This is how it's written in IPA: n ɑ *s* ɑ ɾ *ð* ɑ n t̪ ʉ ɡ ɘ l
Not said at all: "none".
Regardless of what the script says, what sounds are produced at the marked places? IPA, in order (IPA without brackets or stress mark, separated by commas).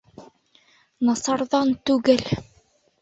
s, ð